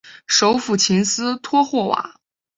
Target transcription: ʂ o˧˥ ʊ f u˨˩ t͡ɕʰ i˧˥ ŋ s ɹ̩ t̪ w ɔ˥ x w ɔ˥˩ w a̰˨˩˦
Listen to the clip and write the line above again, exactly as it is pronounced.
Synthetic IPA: ʂ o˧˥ ʊ f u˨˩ t͡ɕʰ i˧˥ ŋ s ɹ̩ t̪ʰ w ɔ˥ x w ɔ˥˩ w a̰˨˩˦